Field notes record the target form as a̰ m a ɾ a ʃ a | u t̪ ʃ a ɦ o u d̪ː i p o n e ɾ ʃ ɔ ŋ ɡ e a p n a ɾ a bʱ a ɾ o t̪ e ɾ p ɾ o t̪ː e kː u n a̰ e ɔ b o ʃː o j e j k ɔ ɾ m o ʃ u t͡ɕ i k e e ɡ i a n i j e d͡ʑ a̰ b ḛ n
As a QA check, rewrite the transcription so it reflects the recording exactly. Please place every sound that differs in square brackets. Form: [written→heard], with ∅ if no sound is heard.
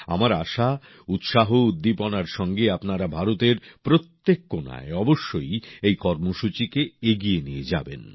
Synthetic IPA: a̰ m a ɾ a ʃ a | u t̪ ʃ a ɦ o u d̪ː i p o n [e→a] ɾ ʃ ɔ ŋ ɡ e a p n a ɾ a bʱ a ɾ o t̪ e ɾ p ɾ o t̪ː e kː [u→o] n a̰ e ɔ b o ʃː o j e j k ɔ ɾ m o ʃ u t͡ɕ i k e e ɡ i [a→e] n i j e d͡ʑ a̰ b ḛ n

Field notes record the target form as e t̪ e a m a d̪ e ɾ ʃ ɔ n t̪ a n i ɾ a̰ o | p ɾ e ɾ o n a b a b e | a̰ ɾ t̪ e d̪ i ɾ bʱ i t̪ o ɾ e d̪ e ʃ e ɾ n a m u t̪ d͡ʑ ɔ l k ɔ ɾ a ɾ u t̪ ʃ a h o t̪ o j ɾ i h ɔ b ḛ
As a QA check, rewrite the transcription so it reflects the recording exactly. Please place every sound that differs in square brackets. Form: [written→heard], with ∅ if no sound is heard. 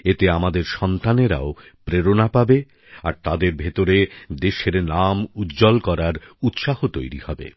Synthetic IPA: e t̪ e a m a d̪ e ɾ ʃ ɔ n t̪ a n [i→e] ɾ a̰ o | p ɾ e ɾ o n a [b→p] a b e | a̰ ɾ t̪ [e→a] d̪ [i→e] ɾ bʱ [i→e] t̪ o ɾ e d̪ e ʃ e ɾ n a m u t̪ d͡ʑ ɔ l k ɔ ɾ a ɾ u t̪ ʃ a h o t̪ o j ɾ i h ɔ b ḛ

